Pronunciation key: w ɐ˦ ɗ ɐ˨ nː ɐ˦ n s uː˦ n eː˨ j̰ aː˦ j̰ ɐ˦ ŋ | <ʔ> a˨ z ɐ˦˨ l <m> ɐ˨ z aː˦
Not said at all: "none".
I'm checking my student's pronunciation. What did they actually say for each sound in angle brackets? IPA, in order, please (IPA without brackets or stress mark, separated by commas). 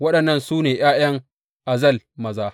ʔ, m